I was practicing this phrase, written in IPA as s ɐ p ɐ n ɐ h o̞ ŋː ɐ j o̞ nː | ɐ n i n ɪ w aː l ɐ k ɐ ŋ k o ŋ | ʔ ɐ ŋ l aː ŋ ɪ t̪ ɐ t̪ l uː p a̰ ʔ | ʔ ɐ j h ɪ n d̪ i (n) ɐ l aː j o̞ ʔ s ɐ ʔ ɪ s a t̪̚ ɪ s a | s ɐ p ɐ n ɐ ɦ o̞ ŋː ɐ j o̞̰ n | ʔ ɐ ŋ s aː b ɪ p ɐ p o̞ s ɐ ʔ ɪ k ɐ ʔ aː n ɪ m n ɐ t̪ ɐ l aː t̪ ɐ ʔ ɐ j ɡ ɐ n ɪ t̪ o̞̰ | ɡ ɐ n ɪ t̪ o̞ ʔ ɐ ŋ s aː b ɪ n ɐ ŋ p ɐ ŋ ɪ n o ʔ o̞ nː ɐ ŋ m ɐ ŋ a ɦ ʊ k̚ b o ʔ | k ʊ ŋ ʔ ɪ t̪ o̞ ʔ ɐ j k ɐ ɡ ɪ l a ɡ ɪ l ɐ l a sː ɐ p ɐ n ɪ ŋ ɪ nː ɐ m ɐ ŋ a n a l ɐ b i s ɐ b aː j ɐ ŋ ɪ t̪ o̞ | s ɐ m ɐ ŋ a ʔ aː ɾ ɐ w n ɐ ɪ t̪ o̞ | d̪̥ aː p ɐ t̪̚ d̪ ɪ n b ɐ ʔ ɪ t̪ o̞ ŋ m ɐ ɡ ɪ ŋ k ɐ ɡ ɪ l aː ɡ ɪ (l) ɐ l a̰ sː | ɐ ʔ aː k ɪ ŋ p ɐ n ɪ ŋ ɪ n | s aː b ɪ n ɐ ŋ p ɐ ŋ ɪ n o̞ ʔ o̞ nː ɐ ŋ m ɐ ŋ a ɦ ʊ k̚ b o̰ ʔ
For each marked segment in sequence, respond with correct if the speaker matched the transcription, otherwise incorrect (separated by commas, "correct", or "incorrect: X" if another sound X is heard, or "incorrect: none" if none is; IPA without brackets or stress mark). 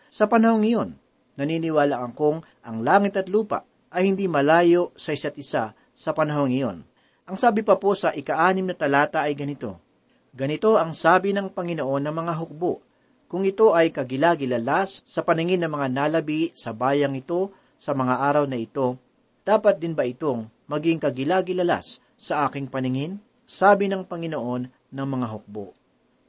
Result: incorrect: m, correct